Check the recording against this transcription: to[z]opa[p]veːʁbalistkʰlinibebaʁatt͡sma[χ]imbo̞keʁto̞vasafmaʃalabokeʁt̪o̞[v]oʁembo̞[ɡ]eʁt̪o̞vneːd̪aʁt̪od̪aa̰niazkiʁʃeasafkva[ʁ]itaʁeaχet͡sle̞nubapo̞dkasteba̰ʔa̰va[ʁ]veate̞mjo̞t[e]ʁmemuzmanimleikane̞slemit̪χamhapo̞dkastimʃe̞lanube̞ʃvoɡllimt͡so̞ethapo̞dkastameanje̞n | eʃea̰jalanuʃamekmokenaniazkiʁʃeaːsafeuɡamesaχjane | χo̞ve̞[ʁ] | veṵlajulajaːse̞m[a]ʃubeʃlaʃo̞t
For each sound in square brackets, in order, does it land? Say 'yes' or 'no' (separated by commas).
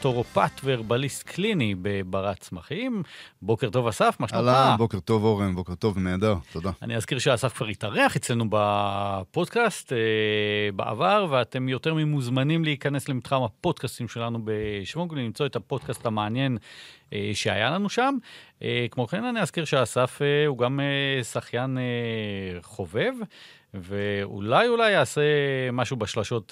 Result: no, no, yes, yes, no, yes, yes, yes, no, yes